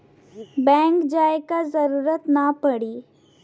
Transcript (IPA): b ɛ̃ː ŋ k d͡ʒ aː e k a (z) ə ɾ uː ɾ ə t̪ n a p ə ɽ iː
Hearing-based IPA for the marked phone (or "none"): z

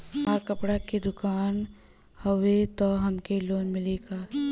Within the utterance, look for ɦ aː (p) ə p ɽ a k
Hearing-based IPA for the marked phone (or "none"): k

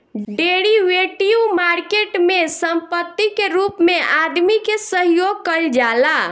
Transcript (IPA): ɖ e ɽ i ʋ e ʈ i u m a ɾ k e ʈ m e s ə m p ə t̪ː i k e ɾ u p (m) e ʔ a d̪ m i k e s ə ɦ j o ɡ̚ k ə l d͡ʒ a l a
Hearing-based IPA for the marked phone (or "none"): m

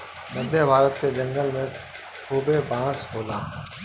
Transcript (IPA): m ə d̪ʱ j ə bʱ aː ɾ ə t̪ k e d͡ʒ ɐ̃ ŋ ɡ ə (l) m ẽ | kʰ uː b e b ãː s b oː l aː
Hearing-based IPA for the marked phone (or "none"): l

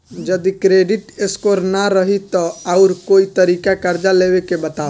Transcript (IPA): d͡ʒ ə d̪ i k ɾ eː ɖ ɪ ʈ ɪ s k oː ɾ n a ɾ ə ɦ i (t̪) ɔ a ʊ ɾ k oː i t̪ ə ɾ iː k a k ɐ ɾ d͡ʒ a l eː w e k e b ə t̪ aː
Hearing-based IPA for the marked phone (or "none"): t̪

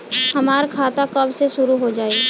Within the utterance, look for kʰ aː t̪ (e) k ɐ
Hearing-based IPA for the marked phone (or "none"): a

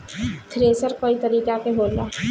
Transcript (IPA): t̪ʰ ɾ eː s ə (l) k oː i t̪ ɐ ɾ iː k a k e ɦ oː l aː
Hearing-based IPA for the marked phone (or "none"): ɾ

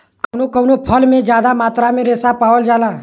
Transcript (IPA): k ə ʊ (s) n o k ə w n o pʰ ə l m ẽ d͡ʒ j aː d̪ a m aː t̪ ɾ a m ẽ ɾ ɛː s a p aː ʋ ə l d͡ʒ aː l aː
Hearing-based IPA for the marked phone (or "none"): none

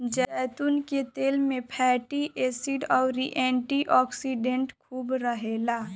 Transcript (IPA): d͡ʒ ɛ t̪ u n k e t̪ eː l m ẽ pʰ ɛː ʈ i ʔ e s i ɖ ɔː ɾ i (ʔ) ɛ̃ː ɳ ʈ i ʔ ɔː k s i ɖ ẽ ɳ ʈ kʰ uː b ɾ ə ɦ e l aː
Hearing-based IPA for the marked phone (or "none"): ʔ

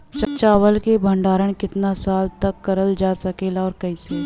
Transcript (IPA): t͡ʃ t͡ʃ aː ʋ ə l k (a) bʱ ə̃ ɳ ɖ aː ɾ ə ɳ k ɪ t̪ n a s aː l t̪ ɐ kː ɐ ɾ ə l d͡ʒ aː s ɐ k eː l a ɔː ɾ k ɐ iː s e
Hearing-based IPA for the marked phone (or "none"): e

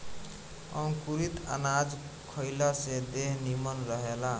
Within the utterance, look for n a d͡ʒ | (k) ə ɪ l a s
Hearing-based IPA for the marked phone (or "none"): kʰ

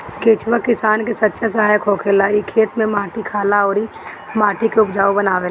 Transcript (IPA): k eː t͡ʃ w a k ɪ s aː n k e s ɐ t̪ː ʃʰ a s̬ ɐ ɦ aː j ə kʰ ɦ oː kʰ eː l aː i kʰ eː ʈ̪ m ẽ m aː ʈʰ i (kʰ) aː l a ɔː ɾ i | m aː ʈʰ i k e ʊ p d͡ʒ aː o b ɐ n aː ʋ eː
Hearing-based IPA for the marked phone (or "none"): kʰ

